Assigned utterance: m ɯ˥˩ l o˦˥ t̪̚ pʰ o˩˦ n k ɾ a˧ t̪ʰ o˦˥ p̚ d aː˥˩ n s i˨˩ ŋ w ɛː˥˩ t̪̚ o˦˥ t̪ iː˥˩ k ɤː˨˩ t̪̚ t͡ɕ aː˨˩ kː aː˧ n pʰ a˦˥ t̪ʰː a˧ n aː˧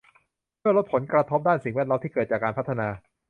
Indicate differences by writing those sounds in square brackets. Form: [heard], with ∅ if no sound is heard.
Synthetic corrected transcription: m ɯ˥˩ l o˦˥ t̪̚ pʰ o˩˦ n k ɾ a˧ t̪ʰ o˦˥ p̚ d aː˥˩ n s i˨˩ ŋ w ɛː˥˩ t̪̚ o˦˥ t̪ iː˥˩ k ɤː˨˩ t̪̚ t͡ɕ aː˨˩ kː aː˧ n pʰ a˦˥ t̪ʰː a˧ n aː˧